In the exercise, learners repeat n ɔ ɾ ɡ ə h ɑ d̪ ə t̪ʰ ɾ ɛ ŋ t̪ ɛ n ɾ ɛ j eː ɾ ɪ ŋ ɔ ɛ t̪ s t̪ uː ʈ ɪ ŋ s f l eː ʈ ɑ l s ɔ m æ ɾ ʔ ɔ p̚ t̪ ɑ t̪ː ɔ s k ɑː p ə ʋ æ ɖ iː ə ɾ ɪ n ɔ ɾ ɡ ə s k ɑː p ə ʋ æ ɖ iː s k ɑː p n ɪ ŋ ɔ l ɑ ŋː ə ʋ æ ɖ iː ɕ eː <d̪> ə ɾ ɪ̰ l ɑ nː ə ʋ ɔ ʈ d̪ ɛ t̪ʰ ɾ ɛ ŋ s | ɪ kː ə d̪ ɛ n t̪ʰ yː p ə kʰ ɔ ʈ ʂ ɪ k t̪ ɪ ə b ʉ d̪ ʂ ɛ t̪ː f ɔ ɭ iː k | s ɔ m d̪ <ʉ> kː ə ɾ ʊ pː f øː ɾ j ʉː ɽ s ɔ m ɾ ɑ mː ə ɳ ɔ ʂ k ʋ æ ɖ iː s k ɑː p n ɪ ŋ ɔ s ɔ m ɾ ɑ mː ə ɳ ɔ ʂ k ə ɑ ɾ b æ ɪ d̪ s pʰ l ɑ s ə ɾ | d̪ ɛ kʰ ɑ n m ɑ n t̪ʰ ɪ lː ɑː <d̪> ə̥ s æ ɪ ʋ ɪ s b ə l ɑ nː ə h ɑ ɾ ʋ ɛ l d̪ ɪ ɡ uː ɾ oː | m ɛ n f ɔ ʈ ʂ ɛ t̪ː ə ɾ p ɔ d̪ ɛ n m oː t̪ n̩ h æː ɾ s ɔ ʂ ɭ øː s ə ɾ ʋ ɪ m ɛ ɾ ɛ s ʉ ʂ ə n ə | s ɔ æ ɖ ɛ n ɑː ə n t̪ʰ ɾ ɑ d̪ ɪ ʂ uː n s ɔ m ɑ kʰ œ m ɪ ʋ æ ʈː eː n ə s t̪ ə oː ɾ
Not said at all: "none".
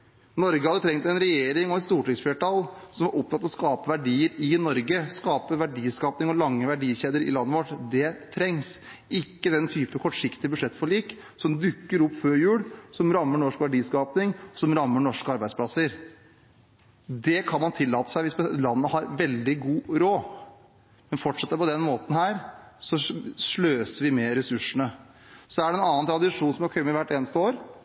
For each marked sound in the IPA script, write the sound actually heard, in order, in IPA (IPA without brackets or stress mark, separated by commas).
d̪, ʉ, t̪